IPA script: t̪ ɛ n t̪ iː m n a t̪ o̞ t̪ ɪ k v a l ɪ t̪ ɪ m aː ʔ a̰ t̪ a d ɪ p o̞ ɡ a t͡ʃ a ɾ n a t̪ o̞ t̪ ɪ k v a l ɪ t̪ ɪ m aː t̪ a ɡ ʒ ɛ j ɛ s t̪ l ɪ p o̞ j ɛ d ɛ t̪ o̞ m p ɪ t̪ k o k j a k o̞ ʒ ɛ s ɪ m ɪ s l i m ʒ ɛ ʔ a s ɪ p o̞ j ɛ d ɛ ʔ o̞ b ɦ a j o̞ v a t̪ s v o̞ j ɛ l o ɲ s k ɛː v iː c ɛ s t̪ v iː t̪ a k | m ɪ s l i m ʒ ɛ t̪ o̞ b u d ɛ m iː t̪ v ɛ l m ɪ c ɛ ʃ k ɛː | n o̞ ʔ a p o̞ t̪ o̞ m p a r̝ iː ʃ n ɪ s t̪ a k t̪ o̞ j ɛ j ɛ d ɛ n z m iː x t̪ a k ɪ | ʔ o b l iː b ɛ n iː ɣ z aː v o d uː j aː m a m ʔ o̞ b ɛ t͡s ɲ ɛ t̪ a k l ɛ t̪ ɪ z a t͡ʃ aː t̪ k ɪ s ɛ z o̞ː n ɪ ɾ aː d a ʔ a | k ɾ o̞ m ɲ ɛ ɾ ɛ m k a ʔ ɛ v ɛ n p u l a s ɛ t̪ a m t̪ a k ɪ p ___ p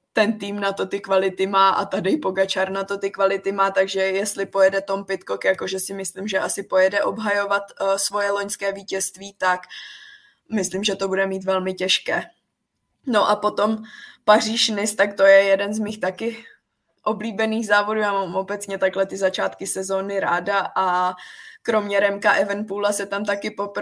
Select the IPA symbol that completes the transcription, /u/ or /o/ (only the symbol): o